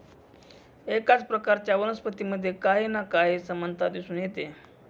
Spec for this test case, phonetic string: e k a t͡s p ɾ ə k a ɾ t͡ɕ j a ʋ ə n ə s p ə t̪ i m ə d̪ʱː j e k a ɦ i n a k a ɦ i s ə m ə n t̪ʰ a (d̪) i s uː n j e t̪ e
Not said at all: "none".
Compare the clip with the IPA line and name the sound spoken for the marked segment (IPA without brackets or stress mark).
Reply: d̪